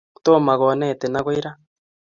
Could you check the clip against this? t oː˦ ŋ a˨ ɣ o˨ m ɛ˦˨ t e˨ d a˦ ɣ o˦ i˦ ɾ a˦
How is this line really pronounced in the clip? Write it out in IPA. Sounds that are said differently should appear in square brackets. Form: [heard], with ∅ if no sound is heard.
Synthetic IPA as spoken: t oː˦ [m] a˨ ɣ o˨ [n] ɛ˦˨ t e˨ [n] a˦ ɣ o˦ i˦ ɾ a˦